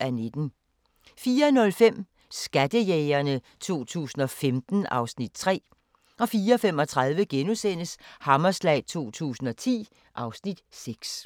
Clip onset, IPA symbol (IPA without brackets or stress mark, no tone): æ